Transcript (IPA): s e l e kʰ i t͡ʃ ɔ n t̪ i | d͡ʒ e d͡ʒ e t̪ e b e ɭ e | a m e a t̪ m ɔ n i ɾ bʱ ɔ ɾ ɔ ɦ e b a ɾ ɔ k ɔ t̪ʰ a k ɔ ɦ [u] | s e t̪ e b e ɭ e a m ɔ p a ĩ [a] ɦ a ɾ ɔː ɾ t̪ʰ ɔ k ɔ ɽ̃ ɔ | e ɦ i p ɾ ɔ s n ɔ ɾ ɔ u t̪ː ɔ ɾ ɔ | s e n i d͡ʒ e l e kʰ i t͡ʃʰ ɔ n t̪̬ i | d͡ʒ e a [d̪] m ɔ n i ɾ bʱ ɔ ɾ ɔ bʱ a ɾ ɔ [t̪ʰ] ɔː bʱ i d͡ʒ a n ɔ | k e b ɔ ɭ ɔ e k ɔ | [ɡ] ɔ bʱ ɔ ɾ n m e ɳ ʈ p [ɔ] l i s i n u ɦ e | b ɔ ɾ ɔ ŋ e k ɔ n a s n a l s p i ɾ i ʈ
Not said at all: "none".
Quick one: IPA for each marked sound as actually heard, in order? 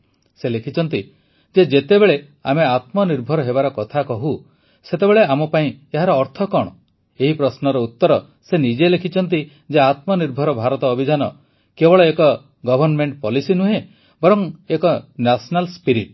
u, e, t̪, t̪, ɡ, ɔ

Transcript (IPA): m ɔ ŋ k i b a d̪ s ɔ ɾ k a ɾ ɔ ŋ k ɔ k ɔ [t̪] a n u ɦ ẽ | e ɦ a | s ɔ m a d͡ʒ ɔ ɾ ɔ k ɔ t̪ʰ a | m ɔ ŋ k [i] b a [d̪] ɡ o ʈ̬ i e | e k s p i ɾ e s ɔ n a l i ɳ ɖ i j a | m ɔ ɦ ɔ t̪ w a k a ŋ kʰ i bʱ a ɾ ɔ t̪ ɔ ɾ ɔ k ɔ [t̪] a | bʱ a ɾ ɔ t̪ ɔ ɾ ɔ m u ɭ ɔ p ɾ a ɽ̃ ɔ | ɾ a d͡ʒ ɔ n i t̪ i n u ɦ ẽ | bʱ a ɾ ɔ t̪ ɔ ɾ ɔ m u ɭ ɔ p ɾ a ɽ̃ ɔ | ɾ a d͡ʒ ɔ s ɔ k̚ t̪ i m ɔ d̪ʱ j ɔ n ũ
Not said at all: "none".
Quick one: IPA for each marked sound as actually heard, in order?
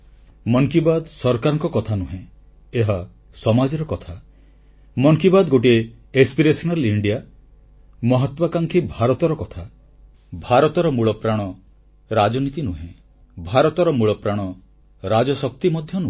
t̪ʰ, i, d̪, t̪ʰ

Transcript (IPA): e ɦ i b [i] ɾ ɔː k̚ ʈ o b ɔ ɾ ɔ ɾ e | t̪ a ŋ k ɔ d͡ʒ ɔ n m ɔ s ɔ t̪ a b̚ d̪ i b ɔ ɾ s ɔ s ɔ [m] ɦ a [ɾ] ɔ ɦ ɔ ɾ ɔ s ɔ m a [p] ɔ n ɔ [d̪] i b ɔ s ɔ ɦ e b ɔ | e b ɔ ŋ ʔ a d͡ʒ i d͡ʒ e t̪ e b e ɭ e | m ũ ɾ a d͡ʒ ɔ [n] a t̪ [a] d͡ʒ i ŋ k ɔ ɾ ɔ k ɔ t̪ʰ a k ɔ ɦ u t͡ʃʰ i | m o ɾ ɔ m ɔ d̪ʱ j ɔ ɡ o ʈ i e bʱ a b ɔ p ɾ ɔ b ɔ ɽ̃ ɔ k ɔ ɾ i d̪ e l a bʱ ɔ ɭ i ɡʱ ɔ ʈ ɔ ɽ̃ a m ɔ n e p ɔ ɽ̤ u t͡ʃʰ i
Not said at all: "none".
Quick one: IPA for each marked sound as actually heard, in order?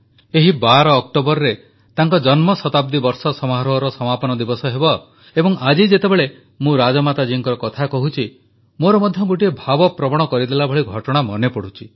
a, m, ɾ, p, d̪, m, a

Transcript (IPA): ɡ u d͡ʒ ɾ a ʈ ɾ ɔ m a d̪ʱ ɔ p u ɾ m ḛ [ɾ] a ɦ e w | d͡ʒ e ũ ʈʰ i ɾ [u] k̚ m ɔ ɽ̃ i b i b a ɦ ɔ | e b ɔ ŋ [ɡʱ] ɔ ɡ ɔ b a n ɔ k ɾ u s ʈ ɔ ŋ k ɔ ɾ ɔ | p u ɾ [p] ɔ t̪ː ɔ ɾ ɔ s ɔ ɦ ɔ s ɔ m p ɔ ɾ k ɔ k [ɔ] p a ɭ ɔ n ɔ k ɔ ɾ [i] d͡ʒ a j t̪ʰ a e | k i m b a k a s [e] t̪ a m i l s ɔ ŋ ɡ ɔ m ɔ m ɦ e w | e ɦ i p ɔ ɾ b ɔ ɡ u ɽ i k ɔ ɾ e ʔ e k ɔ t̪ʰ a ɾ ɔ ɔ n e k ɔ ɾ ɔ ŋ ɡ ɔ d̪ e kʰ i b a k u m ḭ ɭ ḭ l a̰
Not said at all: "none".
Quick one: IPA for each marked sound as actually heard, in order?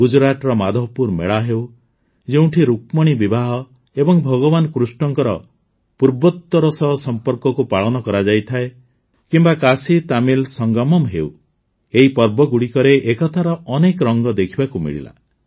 ɭ, u, bʱ, b, u, a, i

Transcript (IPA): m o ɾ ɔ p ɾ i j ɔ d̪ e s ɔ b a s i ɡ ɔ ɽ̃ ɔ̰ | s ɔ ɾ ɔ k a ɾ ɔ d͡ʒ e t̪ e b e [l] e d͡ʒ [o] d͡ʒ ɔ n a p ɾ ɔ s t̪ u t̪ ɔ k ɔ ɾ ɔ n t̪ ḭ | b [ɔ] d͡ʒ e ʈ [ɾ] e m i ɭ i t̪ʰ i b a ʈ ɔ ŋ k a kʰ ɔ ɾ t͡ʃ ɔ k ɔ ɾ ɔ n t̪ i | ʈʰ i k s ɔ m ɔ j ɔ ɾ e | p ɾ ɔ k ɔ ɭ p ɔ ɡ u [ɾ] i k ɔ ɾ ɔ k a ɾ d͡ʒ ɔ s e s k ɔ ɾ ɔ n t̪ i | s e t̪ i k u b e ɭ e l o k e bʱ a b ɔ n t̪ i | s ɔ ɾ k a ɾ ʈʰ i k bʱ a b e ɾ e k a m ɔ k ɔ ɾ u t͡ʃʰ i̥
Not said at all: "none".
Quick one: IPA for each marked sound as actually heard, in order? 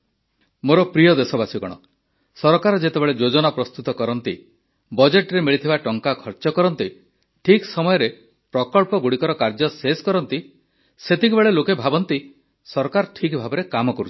ɭ, o, ɔ, ɾ, ɽ

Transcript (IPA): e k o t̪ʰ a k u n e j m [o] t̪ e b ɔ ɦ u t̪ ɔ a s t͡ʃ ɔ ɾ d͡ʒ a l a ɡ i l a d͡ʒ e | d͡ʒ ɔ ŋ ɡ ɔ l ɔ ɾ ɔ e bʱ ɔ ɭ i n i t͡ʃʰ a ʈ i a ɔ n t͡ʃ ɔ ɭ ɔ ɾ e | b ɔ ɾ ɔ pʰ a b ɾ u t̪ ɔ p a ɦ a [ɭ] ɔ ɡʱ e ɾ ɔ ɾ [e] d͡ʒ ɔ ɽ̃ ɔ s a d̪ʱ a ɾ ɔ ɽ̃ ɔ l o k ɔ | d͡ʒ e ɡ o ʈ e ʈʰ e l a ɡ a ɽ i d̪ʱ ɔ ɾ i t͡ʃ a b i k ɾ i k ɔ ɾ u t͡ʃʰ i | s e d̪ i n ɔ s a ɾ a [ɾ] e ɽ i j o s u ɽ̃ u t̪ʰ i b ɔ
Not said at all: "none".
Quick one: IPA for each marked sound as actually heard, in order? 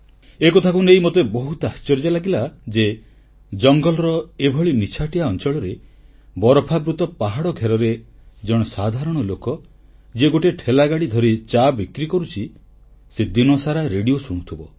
o, ɽ, e, ɾ

